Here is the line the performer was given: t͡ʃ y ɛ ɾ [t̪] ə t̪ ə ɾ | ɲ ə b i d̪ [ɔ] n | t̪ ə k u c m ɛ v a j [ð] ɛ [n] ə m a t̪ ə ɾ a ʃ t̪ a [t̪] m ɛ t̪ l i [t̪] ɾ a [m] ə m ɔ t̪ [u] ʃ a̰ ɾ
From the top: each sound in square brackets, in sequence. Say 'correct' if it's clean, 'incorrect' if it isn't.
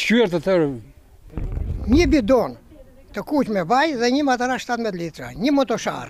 correct, correct, correct, incorrect: ɲ, correct, correct, incorrect: ɲ, incorrect: ɔ

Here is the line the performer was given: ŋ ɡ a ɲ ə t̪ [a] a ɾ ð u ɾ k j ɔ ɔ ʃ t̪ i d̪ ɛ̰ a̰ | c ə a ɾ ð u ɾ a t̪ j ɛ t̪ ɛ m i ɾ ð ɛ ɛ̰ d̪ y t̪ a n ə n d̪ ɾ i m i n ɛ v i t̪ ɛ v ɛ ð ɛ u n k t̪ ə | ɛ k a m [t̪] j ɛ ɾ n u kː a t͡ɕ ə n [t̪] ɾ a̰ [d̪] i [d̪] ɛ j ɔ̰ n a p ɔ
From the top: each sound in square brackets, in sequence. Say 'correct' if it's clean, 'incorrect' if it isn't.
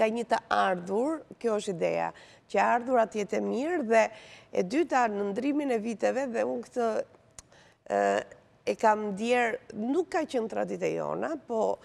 incorrect: ə, incorrect: d̪, correct, correct, incorrect: t̪

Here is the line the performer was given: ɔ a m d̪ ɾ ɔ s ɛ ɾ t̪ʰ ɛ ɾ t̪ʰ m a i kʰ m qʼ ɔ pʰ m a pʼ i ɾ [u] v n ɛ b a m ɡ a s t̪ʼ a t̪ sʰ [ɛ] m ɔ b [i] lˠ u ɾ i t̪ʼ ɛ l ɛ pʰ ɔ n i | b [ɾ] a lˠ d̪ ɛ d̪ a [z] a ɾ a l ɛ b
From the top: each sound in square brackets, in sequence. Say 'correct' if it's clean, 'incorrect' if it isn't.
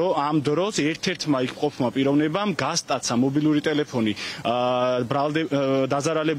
incorrect: ɔ, incorrect: a, correct, correct, correct

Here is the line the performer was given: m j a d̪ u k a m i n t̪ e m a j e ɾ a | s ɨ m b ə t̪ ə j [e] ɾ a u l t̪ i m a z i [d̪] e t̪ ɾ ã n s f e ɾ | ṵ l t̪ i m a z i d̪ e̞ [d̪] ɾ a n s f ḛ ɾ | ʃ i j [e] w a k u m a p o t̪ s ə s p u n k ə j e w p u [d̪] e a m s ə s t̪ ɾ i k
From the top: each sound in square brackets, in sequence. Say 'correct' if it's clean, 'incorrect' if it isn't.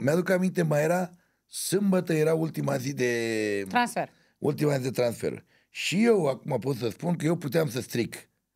correct, correct, incorrect: t̪, correct, incorrect: t̪

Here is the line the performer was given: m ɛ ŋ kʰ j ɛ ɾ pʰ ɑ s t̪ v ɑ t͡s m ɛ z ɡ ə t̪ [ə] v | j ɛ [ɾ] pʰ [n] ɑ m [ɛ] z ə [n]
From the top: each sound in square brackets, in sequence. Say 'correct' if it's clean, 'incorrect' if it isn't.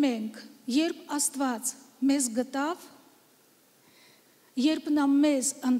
incorrect: ɑ, correct, correct, correct, correct

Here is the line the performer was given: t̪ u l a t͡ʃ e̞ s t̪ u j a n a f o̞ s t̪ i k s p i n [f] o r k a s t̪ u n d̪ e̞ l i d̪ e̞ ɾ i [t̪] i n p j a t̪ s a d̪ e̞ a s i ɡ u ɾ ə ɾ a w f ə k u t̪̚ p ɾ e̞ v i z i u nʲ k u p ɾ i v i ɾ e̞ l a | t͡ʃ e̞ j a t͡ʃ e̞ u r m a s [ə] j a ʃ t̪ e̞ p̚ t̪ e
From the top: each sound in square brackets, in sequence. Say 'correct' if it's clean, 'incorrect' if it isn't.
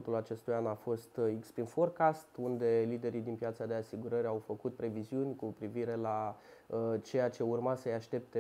correct, incorrect: d̪, correct

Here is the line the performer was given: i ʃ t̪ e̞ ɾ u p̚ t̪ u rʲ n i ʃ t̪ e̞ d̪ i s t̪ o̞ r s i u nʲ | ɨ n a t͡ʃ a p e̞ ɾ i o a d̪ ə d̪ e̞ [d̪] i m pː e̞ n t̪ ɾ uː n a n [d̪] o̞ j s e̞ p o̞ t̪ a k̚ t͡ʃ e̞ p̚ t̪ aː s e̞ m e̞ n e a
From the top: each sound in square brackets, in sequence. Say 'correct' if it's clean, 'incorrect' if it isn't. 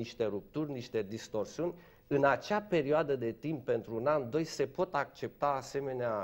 incorrect: t̪, correct

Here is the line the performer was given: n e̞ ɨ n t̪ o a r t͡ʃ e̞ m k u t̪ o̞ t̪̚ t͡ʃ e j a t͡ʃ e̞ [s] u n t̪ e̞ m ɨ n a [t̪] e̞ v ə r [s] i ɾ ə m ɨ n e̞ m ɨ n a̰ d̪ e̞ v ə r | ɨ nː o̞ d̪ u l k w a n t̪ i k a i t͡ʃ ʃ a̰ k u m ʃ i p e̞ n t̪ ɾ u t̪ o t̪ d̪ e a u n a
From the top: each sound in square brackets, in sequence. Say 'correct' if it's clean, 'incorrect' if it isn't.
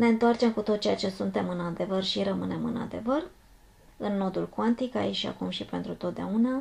correct, incorrect: d̪, incorrect: ʃ

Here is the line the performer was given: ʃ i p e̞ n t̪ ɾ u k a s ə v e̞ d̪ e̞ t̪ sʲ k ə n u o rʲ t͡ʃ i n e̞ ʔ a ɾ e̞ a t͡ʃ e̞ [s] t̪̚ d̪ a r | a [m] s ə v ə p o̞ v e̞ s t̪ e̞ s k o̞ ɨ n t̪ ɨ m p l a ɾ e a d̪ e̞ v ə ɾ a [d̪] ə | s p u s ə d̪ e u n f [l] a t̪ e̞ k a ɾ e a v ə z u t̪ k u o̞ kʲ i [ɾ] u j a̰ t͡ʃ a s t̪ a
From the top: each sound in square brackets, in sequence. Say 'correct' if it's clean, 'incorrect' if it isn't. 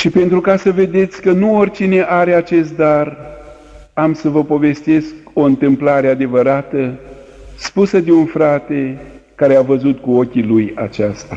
correct, correct, incorrect: t̪, incorrect: ɾ, incorrect: l

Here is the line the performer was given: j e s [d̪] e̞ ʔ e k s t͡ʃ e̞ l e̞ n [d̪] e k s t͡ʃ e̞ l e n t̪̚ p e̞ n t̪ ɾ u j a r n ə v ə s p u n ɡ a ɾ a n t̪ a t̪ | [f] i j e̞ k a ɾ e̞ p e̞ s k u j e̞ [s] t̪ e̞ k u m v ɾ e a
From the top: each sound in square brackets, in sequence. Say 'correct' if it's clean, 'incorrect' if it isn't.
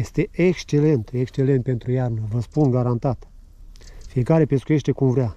incorrect: t̪, incorrect: t̪, correct, incorrect: ʃ

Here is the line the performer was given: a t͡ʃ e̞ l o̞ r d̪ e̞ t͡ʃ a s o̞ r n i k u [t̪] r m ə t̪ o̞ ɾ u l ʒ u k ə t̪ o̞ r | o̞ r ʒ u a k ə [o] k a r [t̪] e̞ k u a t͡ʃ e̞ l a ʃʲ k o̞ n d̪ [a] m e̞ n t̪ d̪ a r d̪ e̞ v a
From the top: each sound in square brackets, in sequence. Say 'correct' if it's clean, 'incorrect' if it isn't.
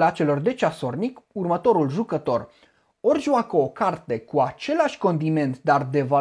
incorrect: none, correct, correct, incorrect: i

